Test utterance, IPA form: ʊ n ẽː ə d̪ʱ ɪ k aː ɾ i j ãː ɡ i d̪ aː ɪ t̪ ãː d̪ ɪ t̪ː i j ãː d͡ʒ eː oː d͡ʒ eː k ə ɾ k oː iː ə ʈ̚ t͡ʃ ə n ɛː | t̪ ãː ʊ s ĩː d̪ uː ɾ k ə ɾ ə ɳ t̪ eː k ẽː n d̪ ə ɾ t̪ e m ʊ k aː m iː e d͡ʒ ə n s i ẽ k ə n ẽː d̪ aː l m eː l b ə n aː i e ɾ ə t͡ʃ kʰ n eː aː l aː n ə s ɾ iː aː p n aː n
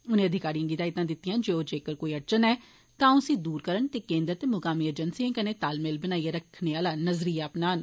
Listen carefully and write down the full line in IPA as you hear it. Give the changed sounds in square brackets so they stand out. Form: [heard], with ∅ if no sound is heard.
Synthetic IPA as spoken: ʊ n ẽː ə d̪ʱ ɪ k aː ɾ i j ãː ɡ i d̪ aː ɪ t̪ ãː d̪ ɪ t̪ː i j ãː d͡ʒ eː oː d͡ʒ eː k ə ɾ k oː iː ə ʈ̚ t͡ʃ ə n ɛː | t̪ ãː ʊ s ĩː d̪ uː ɾ k ə ɾ ə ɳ t̪ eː k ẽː n d̪ ə ɾ t̪ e m ʊ k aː m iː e d͡ʒ ə n s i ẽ k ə n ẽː [t̪] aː l m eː l b ə n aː i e ɾ ə [∅] kʰ n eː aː l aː n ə [z] ɾ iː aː p n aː n